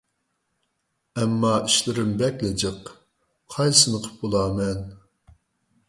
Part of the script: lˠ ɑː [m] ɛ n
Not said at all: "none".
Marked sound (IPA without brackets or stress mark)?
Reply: m